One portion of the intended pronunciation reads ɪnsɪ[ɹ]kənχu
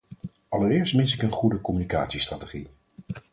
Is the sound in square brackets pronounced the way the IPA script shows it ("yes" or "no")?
no